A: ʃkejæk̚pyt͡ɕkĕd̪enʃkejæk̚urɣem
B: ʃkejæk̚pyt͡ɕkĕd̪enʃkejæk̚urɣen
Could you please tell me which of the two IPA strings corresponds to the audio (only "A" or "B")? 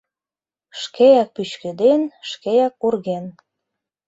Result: B